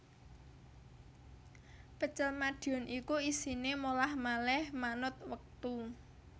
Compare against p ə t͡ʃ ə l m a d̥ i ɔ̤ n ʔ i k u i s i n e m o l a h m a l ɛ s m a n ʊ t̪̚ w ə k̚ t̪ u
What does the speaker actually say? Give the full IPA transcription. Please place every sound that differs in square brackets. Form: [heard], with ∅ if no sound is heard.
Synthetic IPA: p ə t͡ʃ ə l m a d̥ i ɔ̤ n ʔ i k u i s i n e m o l a h m a l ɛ [h] m a n ʊ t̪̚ w ə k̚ t̪ u